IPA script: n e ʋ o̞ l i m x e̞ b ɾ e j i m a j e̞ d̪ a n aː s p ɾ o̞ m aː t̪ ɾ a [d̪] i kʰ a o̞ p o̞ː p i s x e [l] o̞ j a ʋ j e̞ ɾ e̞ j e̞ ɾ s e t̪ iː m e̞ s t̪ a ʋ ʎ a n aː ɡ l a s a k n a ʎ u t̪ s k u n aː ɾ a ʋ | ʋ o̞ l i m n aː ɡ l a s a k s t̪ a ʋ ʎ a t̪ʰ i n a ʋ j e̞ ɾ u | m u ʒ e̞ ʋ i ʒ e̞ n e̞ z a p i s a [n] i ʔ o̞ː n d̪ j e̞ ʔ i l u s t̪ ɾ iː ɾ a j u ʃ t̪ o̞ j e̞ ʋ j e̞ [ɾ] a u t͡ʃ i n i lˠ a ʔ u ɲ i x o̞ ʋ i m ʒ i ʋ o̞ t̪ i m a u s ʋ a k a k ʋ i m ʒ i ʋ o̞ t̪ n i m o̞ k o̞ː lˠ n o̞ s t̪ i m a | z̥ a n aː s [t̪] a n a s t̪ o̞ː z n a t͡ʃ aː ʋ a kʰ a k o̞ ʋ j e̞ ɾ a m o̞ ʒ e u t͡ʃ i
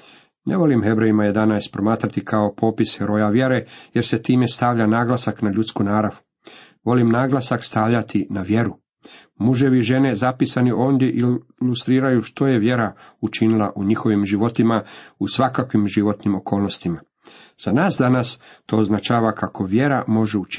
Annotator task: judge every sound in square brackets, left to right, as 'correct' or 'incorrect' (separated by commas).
incorrect, incorrect, correct, correct, incorrect